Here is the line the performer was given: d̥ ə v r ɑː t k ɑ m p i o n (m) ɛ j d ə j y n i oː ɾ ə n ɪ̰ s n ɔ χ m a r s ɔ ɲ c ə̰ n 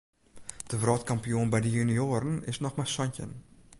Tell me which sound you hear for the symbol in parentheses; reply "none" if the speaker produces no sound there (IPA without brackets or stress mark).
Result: b